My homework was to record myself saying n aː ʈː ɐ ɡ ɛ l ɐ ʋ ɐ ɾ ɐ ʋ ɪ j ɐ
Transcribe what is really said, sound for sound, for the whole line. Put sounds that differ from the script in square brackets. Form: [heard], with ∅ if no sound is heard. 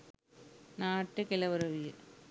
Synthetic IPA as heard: n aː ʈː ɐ [k] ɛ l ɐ ʋ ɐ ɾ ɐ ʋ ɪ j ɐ